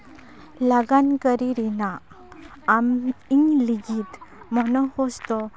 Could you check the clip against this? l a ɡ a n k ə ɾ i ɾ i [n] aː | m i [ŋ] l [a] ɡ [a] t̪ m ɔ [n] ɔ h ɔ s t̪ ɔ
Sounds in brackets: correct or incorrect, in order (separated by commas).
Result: correct, correct, incorrect, incorrect, correct